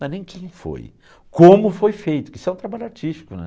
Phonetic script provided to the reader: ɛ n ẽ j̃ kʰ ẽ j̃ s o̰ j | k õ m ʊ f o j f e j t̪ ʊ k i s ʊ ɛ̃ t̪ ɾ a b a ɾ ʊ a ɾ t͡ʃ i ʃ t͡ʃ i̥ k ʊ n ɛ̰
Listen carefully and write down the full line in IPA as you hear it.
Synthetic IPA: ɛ n ẽ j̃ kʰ ẽ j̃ f o̰ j | k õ m ʊ f o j f e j t̪ ʊ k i s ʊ ɛ̃ t̪ ɾ a b a ʎ ʊ a ɾ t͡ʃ i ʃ t͡ʃ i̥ k ʊ n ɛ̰